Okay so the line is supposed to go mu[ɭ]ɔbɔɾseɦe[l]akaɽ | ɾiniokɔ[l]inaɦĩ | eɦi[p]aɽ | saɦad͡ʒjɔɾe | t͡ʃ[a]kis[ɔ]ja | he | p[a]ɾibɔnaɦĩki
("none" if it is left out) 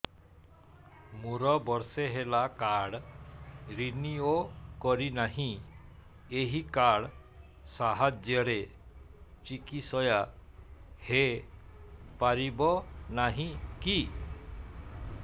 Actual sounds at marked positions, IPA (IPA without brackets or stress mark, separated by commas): ɾ, l, ɾ, k, i, ɔ, a